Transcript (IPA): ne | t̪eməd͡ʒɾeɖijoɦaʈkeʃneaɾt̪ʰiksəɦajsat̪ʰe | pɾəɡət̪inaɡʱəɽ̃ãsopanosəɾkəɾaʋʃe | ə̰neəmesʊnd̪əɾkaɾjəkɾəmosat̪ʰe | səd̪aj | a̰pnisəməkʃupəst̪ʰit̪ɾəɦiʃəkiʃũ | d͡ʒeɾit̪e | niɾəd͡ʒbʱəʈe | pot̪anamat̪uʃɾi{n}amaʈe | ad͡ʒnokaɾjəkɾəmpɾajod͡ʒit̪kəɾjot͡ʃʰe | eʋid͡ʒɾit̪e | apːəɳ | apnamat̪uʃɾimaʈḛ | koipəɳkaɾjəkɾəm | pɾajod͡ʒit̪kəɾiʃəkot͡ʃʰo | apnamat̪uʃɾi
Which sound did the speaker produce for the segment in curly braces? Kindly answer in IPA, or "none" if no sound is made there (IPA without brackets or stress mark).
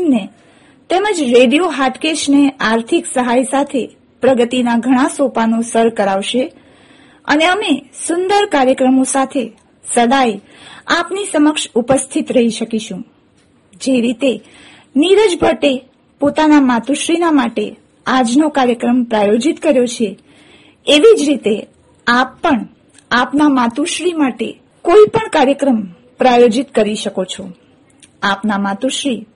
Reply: n